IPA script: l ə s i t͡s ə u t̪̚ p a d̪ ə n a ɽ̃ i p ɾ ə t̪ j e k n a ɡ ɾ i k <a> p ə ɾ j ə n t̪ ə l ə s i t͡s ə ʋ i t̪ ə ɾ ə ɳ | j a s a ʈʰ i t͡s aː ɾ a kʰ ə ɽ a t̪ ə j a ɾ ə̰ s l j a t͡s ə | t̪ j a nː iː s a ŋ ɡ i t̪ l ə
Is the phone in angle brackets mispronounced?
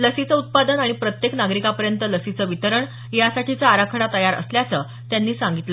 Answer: no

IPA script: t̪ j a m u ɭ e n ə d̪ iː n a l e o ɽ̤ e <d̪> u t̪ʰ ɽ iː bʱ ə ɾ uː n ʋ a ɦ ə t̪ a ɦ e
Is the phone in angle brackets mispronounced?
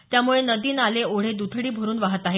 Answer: no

